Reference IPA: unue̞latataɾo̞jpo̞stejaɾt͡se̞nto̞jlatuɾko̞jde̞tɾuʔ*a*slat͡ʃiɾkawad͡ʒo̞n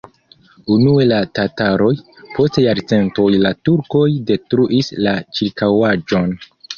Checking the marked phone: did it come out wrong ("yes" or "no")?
yes